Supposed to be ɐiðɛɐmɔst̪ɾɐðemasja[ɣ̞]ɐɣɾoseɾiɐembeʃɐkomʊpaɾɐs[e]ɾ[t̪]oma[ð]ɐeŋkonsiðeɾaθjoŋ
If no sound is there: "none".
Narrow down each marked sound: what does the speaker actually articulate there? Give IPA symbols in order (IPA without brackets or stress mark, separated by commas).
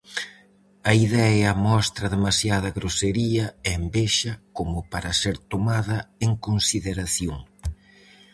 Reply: ð̞, e, t̪, ð